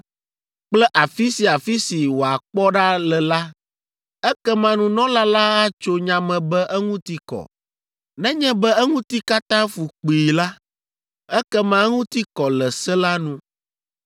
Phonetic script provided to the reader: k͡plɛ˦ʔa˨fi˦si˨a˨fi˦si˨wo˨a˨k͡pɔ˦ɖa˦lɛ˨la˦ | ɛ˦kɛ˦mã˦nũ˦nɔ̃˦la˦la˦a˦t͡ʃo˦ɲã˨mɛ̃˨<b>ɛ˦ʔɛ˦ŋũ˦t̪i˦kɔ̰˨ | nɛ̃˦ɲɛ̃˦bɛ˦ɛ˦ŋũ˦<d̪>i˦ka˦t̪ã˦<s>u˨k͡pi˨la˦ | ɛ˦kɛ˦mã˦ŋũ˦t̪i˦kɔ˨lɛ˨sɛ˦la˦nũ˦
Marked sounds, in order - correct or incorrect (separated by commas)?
correct, incorrect, incorrect